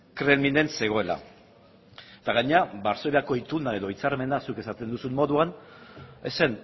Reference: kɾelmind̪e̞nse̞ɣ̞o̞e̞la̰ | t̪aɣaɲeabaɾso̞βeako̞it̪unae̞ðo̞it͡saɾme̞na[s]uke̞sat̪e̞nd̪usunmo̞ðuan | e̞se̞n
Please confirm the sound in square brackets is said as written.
yes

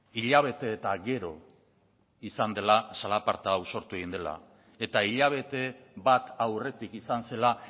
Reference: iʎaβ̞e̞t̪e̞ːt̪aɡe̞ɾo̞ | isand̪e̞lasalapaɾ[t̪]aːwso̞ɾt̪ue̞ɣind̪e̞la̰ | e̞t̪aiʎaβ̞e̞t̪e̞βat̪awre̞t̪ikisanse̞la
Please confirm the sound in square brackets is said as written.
yes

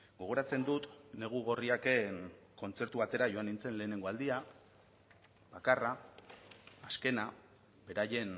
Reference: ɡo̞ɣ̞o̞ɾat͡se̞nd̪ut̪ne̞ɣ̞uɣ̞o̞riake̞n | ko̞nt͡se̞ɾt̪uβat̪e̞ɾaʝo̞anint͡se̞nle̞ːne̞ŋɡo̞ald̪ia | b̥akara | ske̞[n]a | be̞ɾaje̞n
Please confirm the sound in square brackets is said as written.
yes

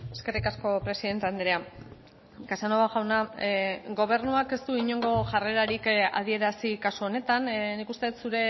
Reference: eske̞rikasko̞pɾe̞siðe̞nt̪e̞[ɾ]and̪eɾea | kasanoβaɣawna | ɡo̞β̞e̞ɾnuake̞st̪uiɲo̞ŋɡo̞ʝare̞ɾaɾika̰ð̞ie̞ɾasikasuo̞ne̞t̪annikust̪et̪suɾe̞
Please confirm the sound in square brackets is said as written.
no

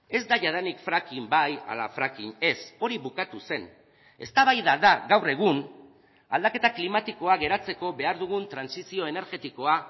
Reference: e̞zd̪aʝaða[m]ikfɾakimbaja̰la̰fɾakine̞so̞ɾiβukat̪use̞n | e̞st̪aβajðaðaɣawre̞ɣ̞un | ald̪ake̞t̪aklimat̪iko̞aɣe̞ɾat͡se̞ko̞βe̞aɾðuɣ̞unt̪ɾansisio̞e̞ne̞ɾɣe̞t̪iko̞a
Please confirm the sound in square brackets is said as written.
no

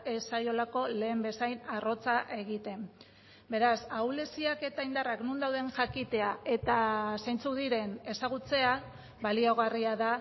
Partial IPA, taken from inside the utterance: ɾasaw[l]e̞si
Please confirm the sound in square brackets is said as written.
yes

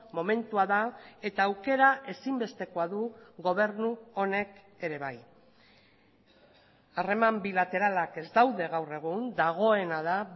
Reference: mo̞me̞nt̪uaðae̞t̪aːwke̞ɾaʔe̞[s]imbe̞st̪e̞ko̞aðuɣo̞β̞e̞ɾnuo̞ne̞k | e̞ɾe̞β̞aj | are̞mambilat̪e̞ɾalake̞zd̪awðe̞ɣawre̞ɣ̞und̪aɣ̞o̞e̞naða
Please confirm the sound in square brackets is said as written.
yes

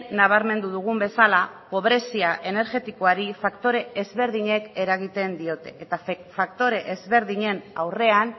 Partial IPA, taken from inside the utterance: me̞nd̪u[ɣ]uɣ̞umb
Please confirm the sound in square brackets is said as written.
no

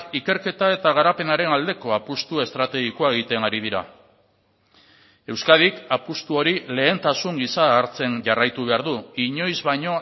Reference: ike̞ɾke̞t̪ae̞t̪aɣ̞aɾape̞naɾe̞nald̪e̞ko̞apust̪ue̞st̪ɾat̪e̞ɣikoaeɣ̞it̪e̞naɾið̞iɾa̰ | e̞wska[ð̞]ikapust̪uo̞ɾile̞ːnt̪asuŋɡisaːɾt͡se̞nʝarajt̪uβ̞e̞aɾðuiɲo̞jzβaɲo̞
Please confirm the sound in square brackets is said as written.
yes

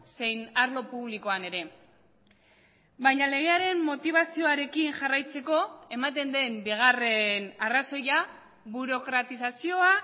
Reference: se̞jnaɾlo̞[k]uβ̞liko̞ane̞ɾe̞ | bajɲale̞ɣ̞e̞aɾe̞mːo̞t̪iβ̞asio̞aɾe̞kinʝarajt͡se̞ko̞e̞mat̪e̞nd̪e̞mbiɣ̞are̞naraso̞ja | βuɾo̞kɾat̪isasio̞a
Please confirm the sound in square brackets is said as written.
no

